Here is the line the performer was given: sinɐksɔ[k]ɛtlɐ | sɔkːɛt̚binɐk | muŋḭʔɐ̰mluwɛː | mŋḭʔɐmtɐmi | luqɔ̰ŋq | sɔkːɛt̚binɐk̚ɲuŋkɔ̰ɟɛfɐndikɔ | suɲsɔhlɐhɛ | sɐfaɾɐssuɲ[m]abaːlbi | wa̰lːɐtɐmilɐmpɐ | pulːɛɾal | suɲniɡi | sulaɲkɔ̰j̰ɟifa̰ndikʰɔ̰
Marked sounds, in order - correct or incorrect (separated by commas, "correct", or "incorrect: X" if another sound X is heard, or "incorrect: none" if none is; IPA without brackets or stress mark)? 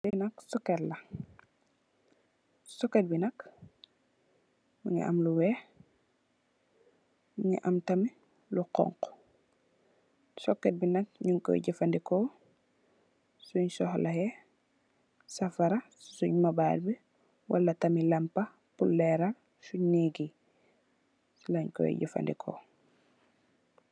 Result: correct, correct